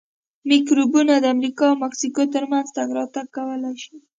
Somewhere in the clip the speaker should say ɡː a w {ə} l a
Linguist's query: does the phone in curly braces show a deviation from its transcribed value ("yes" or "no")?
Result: no